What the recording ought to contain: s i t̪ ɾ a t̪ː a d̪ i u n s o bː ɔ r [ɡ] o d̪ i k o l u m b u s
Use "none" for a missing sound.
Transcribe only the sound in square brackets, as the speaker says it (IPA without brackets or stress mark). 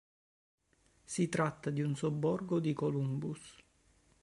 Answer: ɡ